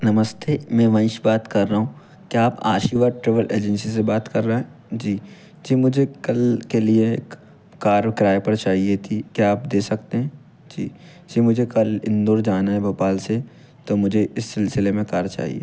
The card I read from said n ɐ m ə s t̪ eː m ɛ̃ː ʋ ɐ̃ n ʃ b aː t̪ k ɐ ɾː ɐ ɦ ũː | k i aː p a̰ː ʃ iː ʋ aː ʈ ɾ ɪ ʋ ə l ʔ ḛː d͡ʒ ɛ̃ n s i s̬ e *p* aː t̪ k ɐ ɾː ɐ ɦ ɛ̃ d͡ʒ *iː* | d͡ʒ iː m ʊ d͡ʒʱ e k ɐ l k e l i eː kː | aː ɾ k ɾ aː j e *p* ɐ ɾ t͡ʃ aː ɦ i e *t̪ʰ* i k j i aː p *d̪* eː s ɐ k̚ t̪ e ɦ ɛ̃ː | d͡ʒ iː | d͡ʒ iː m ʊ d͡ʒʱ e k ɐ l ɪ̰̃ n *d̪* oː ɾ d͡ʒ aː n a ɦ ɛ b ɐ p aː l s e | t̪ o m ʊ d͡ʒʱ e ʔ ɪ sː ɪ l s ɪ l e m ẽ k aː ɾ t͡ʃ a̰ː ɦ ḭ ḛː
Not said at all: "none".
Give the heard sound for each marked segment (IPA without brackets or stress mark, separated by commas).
b, iː, p, t̪ʰ, d̪, d̪